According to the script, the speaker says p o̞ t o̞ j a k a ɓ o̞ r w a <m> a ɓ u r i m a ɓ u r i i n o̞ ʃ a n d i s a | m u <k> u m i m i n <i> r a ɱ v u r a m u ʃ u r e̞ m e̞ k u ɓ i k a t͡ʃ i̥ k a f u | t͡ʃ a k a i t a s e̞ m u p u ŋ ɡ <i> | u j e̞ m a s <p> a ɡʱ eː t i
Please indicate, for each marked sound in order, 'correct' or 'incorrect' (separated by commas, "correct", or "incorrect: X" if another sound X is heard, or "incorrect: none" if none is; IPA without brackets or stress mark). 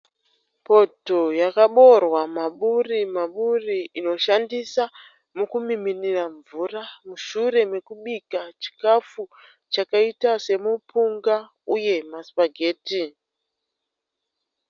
correct, correct, correct, incorrect: a, correct